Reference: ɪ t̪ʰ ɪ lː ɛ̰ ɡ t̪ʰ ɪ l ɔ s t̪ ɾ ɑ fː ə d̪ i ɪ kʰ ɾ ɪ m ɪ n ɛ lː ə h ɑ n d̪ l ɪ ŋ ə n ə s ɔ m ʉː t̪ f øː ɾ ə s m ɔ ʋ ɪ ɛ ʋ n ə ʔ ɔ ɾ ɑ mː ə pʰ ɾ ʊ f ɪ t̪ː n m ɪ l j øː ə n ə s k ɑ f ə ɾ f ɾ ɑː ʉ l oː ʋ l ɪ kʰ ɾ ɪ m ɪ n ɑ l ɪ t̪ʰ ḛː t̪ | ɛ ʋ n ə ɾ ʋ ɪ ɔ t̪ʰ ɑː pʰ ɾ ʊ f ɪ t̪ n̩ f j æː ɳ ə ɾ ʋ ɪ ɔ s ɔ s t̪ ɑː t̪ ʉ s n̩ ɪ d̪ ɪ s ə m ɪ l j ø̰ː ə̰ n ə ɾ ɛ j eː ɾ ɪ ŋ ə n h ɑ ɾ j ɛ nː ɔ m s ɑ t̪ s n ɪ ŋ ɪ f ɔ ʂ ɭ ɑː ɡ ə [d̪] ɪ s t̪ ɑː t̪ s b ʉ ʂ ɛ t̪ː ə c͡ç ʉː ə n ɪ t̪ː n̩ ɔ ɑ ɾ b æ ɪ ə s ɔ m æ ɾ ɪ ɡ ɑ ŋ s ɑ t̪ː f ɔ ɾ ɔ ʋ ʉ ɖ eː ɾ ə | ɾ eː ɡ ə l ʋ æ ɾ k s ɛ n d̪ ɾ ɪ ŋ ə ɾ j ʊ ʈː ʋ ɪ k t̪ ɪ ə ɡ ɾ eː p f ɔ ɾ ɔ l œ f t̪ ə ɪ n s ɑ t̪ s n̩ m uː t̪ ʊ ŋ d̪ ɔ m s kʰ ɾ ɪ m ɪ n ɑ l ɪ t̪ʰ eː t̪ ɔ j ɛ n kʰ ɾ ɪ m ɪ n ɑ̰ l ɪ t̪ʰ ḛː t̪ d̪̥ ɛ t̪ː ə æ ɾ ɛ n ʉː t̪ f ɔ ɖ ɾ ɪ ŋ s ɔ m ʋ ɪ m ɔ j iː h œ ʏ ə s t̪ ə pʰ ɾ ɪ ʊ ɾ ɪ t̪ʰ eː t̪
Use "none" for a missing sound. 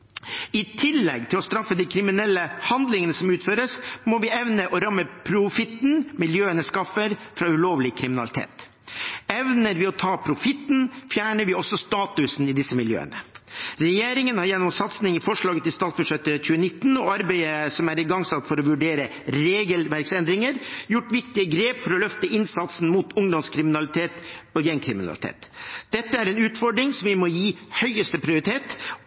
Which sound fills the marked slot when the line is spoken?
t̪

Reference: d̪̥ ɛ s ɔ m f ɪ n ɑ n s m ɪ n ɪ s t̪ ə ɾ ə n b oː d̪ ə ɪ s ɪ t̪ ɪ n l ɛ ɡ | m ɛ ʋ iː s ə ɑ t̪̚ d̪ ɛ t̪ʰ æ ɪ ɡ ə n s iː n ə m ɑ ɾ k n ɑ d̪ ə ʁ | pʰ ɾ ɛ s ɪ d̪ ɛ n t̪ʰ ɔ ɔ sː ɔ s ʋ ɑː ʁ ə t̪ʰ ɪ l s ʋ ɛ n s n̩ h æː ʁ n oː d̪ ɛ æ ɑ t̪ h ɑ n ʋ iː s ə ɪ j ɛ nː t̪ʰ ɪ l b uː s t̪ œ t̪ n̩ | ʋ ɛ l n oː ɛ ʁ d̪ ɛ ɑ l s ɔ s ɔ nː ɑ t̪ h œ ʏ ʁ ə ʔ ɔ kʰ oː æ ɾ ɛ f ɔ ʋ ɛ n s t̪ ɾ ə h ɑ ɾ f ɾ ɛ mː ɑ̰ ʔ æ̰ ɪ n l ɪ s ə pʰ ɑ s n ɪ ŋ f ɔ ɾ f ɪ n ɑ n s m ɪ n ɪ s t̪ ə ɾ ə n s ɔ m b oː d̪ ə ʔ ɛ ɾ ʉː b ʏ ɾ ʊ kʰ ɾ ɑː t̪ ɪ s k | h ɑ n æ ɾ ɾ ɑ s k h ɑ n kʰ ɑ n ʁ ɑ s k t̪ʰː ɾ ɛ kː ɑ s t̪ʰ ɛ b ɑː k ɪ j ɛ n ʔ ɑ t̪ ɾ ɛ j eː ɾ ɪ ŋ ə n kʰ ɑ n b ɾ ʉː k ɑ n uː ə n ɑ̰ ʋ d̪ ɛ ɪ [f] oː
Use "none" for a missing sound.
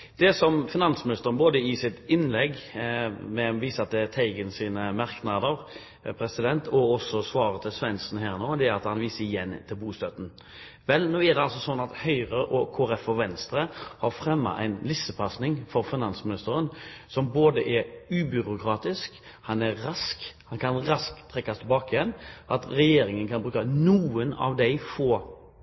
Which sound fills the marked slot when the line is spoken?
f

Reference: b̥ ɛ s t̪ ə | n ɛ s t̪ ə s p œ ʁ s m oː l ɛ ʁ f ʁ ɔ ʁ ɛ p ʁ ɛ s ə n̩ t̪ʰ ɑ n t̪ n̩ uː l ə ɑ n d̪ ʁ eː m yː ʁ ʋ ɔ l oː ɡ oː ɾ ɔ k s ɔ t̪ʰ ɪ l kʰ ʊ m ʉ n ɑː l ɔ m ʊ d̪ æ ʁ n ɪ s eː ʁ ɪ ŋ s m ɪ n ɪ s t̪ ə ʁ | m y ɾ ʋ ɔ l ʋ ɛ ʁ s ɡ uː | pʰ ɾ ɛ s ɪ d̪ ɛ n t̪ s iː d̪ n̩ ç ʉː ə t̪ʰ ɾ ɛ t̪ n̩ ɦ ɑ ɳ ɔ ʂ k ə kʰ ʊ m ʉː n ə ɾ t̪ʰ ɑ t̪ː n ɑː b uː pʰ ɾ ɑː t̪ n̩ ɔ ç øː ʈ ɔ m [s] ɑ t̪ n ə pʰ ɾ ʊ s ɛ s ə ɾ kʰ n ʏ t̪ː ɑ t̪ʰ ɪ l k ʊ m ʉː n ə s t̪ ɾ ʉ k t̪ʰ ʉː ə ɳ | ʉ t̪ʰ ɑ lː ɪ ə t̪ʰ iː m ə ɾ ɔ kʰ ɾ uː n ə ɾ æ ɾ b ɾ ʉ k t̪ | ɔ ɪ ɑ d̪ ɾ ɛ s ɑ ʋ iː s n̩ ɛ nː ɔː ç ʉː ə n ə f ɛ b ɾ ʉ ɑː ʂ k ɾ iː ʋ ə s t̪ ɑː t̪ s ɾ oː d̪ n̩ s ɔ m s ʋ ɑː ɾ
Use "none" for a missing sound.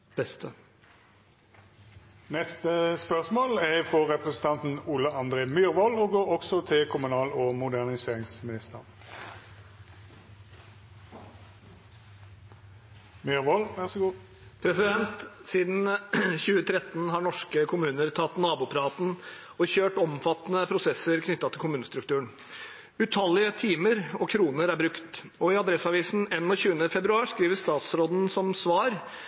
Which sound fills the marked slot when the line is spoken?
f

